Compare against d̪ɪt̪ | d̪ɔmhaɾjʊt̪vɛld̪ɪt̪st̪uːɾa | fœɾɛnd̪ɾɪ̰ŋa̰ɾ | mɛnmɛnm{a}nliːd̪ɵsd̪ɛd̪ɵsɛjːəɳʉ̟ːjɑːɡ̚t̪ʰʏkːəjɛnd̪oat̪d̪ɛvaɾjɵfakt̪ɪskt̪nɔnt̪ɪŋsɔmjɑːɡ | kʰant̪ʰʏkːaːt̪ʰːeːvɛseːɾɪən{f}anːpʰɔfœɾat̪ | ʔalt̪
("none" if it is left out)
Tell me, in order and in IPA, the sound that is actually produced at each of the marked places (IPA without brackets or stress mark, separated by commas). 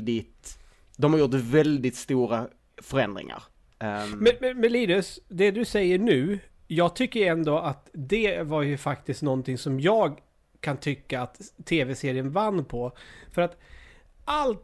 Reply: ɛ, v